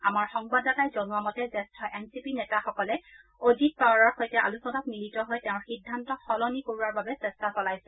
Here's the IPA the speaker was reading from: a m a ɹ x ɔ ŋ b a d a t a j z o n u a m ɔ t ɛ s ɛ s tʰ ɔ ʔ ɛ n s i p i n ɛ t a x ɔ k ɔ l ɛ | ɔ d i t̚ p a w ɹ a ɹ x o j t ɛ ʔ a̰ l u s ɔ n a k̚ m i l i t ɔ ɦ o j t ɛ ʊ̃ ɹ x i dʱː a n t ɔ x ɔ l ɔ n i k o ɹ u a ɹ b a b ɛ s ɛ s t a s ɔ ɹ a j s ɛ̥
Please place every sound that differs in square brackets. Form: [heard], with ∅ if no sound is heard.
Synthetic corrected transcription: a m a ɹ x ɔ ŋ b a d a t a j z o n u a m ɔ t ɛ [z] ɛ s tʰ ɔ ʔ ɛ n s i p i n ɛ t a x ɔ k ɔ l ɛ | [o] d i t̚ p a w ɹ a ɹ x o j t ɛ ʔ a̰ l u s ɔ n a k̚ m i l i t ɔ ɦ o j t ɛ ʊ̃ ɹ x i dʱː a n t ɔ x ɔ l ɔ n i k o ɹ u a ɹ b a b ɛ s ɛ s t a s ɔ [l] a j s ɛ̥